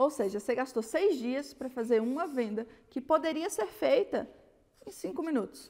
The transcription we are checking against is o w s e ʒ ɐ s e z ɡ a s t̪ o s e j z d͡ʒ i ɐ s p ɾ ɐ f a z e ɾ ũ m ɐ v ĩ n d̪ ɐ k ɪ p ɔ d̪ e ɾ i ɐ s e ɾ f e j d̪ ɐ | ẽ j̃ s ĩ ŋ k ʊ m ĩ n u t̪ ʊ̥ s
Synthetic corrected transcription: o w s e ʒ ɐ s e ɡ a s t̪ o s e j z d͡ʒ i ɐ s p ɾ ɐ f a z e ɾ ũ m ɐ v ẽ n d̪ ɐ k ɪ p o d̪ e ɾ i ɐ s e ɾ f e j t̪ ɐ | ẽ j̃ s ĩ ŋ k ʊ m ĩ n u t̪ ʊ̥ s